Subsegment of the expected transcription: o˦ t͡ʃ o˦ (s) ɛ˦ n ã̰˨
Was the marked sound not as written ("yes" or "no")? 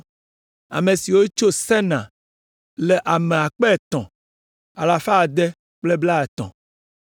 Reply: no